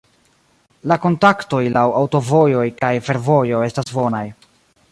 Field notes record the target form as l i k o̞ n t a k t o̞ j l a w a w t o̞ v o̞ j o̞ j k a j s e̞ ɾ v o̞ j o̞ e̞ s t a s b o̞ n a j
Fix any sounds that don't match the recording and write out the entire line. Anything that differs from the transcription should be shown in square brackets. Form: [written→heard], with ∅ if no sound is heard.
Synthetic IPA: l [i→a] k o̞ n t a k t o̞ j l a w a w t o̞ v o̞ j o̞ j k a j [s→f] e̞ ɾ v o̞ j o̞ e̞ s t a s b o̞ n a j